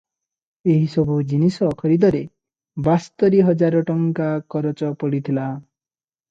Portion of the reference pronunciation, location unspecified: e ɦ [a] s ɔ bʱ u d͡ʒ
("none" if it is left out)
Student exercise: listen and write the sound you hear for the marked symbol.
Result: i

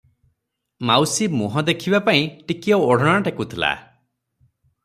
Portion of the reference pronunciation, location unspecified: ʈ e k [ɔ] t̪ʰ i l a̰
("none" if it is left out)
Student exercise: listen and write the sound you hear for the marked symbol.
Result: u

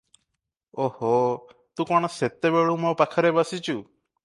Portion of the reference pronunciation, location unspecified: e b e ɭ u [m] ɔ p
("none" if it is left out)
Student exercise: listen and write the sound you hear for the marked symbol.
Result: m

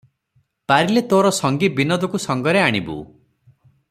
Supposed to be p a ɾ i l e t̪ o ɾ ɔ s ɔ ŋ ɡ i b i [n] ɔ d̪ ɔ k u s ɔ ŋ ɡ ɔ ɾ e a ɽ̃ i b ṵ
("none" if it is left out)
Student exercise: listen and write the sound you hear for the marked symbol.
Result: n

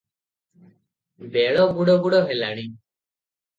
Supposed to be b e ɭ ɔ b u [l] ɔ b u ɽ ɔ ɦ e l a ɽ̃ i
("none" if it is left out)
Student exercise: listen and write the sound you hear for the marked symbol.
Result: ɽ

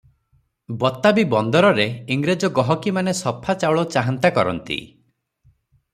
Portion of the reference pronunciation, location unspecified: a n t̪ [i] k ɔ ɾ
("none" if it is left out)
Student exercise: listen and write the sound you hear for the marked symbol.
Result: a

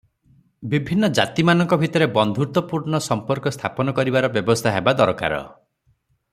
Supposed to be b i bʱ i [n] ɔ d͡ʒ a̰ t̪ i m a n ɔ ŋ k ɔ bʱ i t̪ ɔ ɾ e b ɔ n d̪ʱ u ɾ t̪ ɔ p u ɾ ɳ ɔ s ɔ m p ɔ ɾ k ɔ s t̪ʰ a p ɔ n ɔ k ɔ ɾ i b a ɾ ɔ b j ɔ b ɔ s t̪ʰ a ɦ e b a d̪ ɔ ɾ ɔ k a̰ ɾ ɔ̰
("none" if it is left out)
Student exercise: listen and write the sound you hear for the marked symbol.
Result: nː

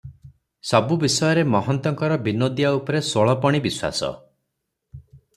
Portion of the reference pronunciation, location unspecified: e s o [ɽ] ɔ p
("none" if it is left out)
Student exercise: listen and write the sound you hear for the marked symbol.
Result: ɭ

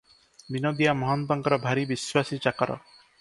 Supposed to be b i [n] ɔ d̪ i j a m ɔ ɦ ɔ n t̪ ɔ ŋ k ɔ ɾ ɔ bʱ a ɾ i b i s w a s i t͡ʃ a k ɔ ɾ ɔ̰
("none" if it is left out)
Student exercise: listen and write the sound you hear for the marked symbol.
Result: n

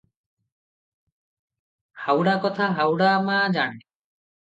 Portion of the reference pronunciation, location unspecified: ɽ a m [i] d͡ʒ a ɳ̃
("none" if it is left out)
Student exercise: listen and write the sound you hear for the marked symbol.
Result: a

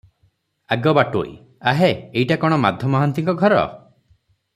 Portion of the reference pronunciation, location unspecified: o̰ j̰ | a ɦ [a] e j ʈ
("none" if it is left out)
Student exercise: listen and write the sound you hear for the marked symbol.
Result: e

